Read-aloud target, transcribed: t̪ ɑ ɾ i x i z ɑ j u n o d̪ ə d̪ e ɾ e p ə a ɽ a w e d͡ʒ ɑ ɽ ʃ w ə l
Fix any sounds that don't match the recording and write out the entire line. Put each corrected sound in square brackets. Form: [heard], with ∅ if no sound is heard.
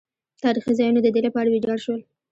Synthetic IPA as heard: t̪ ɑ ɾ i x i z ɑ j u n o d̪ ə d̪ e [l] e p ə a ɽ a w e d͡ʒ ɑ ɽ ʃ w ə l